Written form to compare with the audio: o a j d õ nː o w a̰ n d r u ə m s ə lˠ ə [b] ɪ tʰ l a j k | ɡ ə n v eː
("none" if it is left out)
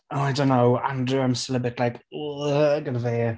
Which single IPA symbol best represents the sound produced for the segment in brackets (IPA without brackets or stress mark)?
b